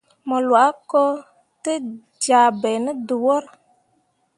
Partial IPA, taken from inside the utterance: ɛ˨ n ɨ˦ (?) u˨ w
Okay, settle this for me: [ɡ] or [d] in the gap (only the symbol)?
d